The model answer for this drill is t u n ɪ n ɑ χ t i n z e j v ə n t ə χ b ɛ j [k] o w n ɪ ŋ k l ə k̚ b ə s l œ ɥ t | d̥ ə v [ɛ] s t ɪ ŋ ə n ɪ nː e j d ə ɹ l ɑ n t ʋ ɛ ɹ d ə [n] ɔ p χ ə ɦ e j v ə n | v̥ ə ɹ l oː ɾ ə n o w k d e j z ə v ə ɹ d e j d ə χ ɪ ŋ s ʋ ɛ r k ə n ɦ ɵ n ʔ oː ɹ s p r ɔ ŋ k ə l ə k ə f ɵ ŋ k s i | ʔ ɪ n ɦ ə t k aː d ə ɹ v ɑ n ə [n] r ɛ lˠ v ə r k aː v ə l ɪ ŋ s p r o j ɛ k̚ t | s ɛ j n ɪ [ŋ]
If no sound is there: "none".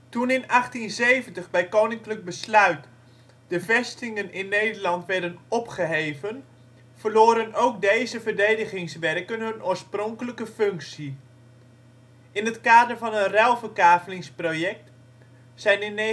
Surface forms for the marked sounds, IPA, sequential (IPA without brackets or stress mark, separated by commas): k, ɛ, n, n, n